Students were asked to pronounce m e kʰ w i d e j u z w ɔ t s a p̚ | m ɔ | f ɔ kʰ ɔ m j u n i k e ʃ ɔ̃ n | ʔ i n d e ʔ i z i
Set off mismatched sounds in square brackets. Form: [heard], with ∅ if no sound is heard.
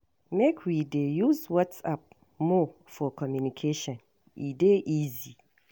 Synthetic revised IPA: m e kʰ w i d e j u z w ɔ t s a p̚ | m ɔ | f ɔ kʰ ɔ m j u n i [kʰ] e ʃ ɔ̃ n | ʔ i [∅] d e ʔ i z i